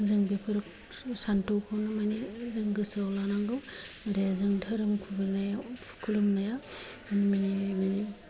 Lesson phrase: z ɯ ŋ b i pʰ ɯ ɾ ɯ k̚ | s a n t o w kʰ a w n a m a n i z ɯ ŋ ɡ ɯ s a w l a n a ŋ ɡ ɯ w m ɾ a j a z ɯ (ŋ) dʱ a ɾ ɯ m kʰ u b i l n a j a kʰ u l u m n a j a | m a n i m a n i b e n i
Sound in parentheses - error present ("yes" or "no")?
no